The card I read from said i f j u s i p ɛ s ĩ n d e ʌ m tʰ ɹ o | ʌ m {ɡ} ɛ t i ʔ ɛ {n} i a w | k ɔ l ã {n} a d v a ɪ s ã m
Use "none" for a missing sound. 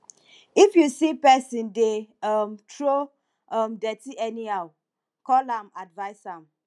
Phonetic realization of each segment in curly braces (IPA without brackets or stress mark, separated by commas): d, n, m